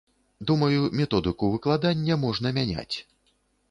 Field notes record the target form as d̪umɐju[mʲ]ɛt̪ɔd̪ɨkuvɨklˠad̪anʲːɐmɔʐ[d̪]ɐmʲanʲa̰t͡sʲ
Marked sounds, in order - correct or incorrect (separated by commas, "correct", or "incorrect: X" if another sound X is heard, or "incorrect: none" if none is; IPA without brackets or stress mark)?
correct, incorrect: n̪